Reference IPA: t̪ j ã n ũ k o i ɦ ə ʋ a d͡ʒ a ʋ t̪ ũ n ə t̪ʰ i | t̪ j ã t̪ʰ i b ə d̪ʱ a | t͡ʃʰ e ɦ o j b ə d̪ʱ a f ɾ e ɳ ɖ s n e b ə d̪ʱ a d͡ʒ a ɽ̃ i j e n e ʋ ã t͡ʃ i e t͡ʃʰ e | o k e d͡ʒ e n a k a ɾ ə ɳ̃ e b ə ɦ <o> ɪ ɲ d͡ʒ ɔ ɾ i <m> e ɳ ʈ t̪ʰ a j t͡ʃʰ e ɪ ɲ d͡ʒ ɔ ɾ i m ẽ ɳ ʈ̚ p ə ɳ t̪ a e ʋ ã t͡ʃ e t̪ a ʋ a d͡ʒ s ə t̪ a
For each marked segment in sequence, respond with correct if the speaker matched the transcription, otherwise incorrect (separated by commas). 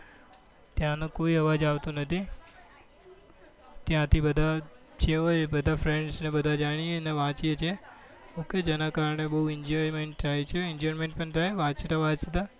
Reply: incorrect, correct